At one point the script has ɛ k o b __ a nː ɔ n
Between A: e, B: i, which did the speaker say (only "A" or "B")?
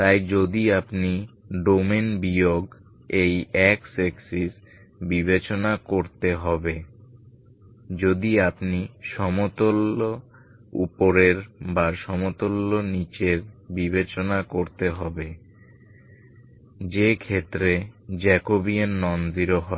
B